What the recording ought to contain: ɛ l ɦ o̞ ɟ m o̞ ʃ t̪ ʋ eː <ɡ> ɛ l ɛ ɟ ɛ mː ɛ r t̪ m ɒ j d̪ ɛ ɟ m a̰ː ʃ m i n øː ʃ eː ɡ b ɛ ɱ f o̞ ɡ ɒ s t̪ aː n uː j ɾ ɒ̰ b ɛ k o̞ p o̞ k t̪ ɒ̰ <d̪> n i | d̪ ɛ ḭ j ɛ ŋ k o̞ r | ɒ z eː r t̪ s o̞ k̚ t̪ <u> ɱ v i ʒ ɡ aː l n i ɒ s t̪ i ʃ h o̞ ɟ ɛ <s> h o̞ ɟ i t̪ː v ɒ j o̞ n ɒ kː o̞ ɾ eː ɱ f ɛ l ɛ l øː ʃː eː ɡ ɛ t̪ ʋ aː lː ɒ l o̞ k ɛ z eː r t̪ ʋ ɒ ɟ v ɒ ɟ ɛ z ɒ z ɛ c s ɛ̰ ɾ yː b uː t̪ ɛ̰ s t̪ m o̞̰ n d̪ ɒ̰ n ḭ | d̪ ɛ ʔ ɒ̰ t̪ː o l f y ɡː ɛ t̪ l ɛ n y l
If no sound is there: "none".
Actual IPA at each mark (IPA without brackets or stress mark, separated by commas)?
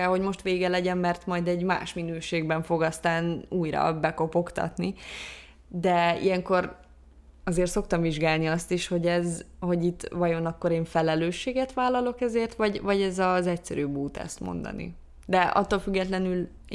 ɡ, t̪, ɒ, z